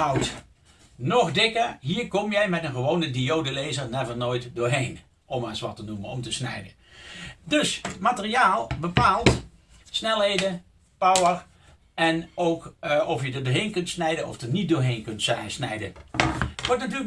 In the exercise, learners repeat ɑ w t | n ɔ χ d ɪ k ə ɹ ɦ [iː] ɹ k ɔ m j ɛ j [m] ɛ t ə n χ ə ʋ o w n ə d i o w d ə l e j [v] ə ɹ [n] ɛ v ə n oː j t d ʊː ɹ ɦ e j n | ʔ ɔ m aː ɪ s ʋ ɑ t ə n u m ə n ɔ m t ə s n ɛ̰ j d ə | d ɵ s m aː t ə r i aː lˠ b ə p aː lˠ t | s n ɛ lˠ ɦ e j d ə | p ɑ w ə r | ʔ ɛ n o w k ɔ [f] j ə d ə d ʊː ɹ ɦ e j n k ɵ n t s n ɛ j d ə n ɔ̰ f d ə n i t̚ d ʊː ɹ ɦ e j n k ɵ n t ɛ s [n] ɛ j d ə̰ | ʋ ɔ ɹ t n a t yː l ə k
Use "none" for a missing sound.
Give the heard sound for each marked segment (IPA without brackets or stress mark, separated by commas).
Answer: iː, m, z, n, f, n